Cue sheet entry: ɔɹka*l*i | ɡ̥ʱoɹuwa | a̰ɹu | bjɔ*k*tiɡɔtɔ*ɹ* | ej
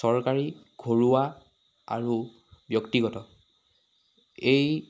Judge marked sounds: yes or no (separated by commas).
no, yes, no